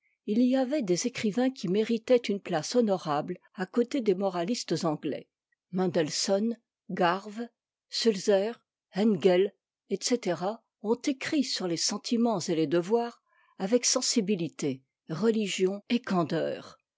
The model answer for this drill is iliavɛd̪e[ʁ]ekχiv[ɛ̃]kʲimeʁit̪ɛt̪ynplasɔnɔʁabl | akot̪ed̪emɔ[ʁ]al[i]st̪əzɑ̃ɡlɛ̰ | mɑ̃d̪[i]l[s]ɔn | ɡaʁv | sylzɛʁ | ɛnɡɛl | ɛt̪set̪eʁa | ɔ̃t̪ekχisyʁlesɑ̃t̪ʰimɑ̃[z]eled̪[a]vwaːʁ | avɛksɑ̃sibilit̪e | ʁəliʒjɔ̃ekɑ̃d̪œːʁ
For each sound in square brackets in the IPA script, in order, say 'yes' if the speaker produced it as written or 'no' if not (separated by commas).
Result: no, yes, yes, yes, no, yes, yes, no